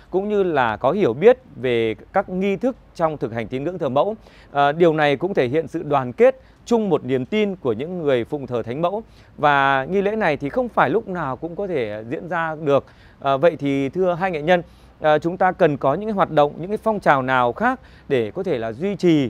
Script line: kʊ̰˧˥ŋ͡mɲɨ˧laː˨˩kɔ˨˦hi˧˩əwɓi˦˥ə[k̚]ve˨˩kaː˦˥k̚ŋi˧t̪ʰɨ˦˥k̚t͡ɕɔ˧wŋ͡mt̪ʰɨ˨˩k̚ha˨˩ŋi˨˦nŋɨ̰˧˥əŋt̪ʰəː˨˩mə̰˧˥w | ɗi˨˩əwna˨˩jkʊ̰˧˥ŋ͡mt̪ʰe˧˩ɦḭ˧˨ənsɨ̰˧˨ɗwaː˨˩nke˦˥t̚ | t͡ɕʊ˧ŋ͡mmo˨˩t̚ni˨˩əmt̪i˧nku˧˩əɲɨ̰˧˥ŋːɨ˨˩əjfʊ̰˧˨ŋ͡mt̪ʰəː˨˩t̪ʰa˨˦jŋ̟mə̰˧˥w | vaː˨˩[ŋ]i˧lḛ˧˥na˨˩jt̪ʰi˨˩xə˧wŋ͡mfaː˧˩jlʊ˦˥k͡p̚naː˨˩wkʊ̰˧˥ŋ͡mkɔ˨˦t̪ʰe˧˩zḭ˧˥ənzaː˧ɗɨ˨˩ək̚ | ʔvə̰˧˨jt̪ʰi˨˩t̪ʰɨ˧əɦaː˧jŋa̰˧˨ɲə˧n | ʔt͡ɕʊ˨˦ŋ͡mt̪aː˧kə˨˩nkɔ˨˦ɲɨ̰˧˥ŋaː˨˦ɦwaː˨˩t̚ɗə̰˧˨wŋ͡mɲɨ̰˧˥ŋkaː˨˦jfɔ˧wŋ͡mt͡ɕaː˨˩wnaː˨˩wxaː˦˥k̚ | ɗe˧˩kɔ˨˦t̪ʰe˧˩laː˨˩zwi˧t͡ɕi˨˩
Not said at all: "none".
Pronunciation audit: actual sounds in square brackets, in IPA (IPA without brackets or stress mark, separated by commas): t̚, ŋ